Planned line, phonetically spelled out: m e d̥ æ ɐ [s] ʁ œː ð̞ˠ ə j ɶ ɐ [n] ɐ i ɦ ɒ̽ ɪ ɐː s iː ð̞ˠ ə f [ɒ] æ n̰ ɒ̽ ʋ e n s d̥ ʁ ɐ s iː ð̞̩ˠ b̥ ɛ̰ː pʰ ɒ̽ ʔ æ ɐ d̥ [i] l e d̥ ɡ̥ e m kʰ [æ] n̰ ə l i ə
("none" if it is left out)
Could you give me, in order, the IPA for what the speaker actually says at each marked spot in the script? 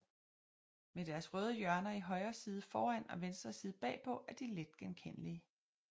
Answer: s, n, ɒː, i, e

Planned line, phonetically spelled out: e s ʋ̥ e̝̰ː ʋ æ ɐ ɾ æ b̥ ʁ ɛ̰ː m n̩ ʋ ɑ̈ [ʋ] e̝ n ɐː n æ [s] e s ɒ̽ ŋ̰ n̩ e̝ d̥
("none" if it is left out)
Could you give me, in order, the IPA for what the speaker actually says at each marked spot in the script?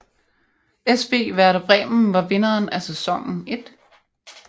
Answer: ʋ, s

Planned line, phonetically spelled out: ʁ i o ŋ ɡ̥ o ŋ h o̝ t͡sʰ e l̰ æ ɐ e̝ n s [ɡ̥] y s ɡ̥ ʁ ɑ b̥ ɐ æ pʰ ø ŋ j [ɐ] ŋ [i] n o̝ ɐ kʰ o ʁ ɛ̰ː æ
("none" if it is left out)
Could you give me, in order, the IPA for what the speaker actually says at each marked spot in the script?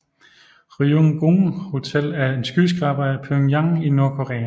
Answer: ɡ̥, ɑ, i

